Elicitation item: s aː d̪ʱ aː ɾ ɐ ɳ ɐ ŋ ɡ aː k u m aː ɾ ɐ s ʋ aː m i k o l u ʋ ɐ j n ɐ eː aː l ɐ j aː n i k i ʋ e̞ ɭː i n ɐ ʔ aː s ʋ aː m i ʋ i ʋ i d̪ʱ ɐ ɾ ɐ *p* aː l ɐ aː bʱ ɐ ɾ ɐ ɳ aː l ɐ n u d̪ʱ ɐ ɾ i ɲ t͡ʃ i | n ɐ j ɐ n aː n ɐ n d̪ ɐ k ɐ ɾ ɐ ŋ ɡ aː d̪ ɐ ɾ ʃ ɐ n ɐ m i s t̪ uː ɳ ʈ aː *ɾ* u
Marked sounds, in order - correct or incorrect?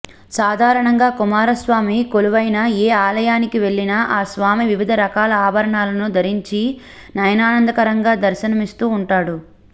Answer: incorrect, incorrect

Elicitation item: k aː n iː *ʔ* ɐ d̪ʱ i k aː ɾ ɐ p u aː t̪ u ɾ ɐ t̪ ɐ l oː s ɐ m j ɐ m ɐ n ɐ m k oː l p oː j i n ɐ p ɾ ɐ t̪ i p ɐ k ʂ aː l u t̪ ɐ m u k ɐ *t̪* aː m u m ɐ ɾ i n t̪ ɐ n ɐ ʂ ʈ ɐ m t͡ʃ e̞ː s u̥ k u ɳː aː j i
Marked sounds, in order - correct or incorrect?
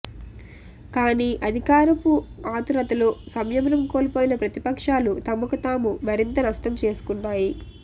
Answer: correct, correct

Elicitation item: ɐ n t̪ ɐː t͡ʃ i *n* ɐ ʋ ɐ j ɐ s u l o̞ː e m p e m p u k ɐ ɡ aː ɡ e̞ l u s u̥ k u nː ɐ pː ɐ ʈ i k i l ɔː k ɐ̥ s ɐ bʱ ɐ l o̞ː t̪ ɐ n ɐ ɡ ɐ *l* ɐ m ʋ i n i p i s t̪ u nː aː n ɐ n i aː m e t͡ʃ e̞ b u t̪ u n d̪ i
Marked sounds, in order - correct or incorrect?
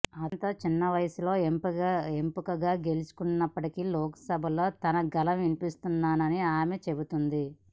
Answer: incorrect, correct

